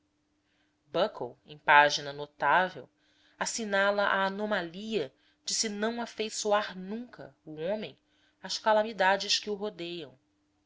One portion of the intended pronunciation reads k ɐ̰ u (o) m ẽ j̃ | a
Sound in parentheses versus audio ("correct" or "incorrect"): incorrect